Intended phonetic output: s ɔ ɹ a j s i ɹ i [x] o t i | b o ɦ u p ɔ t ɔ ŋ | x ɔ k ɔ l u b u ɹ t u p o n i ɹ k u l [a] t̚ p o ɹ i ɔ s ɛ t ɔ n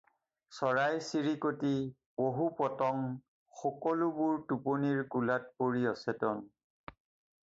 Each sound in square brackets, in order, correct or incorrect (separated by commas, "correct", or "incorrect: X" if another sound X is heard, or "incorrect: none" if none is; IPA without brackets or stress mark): incorrect: k, correct